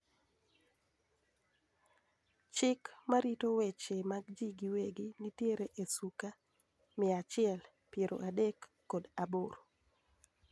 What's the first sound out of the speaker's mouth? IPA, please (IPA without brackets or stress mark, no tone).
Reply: t͡ʃ